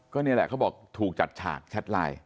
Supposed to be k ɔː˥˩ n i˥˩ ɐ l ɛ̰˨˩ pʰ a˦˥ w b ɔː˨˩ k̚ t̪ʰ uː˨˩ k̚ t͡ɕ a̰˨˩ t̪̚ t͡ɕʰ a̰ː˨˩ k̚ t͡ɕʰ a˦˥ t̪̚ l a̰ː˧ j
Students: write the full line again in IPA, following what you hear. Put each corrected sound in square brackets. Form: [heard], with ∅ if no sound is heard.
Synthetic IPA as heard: k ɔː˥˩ n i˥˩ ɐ l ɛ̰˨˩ [kʰ] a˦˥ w b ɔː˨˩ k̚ t̪ʰ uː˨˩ k̚ t͡ɕ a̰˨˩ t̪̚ t͡ɕʰ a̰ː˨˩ k̚ t͡ɕʰ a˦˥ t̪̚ l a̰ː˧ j